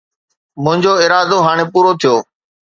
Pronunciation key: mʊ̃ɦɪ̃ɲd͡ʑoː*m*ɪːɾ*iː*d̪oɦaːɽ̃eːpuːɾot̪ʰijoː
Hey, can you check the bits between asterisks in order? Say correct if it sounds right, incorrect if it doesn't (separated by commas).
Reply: incorrect, incorrect